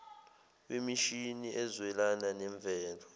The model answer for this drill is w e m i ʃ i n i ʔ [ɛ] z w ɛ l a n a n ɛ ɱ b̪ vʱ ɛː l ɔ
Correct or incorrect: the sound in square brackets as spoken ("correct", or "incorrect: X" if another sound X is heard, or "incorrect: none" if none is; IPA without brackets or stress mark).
correct